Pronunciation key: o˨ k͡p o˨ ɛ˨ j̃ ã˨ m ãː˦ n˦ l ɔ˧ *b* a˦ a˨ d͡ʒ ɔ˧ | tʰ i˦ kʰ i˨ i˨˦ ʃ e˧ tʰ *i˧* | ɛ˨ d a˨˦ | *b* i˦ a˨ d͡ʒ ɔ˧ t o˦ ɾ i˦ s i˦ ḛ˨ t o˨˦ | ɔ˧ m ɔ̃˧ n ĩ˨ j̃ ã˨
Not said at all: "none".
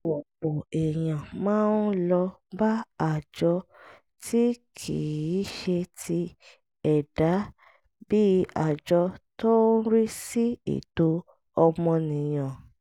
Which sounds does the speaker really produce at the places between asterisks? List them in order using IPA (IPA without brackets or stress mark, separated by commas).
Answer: b, i˧, b